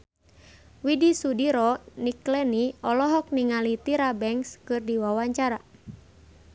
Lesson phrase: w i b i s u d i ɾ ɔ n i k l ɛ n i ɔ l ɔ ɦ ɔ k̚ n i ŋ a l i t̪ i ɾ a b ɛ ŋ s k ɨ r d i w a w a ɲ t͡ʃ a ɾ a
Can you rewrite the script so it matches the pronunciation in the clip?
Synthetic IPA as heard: w i d i s u d i ɾ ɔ n i k l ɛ n i ɔ l ɔ ɦ ɔ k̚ n i ŋ a l i t̪ i ɾ a b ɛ ŋ s k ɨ r d i w a w a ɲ t͡ʃ a ɾ a